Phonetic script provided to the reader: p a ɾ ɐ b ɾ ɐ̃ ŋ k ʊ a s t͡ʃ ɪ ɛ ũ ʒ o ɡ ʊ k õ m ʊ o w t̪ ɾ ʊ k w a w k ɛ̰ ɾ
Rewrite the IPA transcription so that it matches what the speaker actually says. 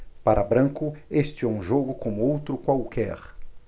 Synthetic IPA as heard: p a ɾ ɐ b ɾ ɐ̃ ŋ k ʊ e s t͡ʃ ɪ ɛ ũ ʒ o ɡ ʊ k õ m ʊ o w t̪ ɾ ʊ k w a w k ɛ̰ ɾ